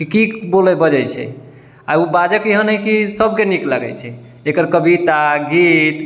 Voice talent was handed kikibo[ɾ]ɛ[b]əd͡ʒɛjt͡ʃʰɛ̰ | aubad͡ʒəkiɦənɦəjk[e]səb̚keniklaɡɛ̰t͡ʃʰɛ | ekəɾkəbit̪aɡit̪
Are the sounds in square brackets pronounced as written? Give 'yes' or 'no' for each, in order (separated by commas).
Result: no, yes, no